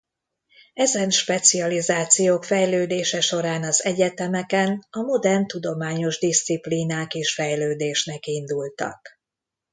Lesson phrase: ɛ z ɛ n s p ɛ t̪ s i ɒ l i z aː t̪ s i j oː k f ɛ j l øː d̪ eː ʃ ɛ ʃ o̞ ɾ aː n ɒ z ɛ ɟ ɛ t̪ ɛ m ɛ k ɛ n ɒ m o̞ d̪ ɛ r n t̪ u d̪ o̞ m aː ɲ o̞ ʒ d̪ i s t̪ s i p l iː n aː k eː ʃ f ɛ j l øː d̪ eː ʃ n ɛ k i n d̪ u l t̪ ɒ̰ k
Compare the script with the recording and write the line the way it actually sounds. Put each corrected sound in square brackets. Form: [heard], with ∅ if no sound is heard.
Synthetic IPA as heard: ɛ z ɛ n [ʃ] p ɛ t̪ s i ɒ l i z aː t̪ s i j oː k f ɛ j l øː d̪ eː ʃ ɛ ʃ o̞ ɾ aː n ɒ z ɛ ɟ ɛ t̪ ɛ m ɛ k ɛ n ɒ m o̞ d̪ ɛ r n t̪ u d̪ o̞ m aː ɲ o̞ ʒ d̪ i s t̪ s i p l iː n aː k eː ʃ f ɛ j l øː d̪ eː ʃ n ɛ k i n d̪ u l t̪ ɒ̰ k